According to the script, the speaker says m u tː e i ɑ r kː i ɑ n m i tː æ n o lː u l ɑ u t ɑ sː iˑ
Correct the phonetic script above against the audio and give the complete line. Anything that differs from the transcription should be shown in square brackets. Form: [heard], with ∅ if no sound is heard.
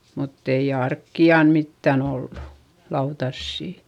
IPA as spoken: m u tː e i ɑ r kː i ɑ n m i tː æ n o lː u l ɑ u t ɑ sː iˑ